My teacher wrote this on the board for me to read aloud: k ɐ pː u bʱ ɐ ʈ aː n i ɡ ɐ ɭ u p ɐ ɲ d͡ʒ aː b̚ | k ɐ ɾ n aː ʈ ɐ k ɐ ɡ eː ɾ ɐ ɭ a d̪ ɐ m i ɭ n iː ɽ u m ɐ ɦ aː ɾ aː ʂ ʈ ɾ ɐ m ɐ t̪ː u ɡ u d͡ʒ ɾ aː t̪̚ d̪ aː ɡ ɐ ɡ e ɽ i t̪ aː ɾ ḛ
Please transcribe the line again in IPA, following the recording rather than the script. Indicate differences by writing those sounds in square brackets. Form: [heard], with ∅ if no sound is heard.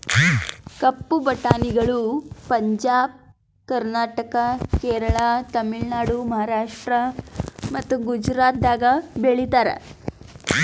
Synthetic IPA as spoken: k ɐ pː u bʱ ɐ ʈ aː n i ɡ ɐ ɭ u p ɐ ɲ d͡ʒ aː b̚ | k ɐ ɾ n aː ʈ ɐ k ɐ [k] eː ɾ ɐ ɭ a [t̪] ɐ m i ɭ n [aː] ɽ u m ɐ ɦ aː ɾ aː ʂ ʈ ɾ ɐ m ɐ t̪ː u ɡ u d͡ʒ ɾ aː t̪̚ d̪ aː ɡ ɐ [b] e [ɭ] i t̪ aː ɾ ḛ